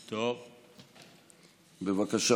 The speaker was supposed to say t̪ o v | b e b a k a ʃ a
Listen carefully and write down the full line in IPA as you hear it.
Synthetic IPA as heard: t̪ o v | b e v a k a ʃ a